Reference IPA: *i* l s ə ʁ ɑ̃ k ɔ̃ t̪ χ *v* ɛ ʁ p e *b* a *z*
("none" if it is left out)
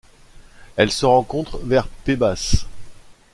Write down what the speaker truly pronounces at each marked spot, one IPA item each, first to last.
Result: ɛ, v, b, s

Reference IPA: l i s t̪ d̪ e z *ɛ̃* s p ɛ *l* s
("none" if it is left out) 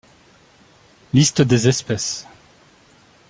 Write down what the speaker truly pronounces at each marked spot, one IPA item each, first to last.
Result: ɛ, none

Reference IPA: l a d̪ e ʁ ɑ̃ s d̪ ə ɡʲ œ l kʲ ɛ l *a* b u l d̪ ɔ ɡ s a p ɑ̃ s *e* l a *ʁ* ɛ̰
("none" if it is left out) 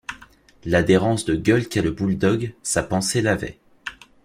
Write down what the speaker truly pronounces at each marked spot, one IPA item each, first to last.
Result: ə, e, v

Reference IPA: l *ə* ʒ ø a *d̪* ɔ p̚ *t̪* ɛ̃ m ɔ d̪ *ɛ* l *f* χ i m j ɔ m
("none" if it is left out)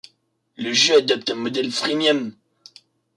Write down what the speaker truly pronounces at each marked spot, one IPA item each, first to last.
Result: ə, d̪, t̪, ɛ, f

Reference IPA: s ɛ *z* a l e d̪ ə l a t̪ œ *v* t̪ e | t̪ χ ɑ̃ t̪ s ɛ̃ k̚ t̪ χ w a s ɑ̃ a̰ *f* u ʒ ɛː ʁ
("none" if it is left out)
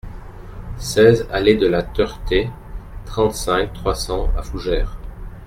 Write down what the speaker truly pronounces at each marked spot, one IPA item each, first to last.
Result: z, ʁ, f

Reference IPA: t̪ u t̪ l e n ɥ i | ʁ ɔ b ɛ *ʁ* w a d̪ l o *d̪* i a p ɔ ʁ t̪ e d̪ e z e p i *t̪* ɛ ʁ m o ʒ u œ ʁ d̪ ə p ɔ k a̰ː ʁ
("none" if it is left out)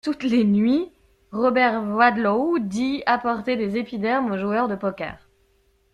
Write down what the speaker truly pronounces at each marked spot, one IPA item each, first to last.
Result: ʁ, d̪, d̪

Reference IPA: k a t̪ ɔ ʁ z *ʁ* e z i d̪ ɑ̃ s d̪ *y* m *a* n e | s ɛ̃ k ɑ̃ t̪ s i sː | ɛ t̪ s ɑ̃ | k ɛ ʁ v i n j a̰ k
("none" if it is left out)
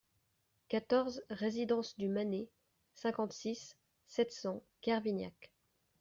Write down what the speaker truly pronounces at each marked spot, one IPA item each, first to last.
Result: ʁ, y, a

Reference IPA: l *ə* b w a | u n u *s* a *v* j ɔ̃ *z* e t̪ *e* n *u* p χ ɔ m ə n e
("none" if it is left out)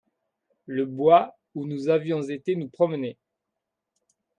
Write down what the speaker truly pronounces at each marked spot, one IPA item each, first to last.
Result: ə, z, v, z, e, u

